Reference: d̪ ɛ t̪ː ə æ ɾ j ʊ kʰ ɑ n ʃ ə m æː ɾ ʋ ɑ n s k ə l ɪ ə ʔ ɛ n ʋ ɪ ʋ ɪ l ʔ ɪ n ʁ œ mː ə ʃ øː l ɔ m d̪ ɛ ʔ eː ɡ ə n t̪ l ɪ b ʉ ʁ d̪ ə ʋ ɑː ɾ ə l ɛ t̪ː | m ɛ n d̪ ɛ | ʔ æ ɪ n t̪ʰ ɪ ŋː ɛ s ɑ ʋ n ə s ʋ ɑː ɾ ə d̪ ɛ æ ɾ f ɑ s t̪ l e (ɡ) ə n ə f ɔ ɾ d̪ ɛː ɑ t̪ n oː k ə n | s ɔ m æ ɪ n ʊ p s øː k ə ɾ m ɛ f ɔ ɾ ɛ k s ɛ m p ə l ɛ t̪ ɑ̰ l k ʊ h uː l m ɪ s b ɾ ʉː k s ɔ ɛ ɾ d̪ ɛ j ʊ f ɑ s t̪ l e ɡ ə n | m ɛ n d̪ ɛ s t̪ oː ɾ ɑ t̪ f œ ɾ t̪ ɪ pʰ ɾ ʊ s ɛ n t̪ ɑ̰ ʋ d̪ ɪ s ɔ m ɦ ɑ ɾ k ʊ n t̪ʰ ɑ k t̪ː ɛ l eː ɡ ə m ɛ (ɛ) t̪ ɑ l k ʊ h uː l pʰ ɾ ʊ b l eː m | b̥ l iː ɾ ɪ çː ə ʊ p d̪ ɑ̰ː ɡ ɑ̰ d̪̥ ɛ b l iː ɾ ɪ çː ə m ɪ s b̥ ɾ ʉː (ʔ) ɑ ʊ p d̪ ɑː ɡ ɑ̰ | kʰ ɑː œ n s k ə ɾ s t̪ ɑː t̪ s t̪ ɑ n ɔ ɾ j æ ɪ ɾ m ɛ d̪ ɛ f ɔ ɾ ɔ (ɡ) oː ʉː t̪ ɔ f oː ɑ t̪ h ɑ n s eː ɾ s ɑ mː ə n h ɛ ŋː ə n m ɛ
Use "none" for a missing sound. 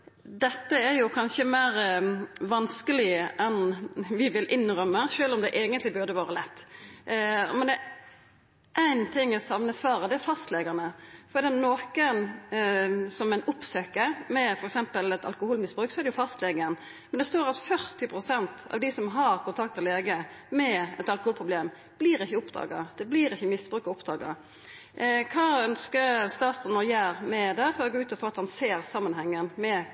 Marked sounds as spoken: ɡ, ɛ, k, ɡ

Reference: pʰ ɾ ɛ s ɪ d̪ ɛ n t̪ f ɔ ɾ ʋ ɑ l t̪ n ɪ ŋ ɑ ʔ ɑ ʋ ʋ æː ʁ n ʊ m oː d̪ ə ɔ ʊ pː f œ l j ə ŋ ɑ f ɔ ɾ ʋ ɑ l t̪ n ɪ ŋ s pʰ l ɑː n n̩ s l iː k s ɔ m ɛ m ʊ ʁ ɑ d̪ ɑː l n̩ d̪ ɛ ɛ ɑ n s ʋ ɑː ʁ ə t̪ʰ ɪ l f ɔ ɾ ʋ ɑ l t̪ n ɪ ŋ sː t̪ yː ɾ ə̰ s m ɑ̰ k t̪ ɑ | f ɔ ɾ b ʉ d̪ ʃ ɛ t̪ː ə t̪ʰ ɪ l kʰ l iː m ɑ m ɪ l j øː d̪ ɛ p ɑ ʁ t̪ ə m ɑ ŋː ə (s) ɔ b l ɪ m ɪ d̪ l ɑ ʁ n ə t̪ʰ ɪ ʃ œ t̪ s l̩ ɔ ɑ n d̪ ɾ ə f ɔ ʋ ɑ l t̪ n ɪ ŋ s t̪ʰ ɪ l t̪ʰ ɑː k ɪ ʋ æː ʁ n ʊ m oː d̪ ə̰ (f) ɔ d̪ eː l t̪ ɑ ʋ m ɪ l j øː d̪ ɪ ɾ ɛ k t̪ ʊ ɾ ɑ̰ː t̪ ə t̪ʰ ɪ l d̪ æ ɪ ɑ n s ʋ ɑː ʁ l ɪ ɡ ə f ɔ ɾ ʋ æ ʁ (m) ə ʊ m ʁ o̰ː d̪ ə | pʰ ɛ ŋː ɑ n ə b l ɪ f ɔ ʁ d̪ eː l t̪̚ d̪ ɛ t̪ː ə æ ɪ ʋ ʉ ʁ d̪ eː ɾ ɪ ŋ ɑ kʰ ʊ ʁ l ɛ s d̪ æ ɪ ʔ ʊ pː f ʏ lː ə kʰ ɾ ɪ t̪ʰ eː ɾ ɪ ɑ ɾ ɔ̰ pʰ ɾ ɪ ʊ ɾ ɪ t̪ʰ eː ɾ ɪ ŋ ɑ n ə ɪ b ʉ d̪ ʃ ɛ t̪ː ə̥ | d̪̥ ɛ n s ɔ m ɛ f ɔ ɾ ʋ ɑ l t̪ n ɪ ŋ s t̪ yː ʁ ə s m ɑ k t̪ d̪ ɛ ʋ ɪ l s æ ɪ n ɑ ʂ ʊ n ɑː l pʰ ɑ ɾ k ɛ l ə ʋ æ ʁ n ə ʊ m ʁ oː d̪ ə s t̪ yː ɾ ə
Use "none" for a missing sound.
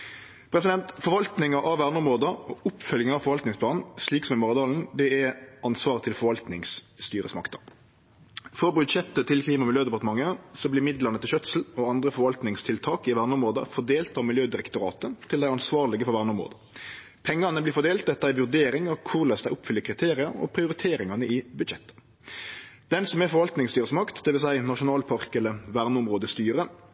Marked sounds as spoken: s, f, n

